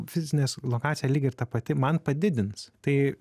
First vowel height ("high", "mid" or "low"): high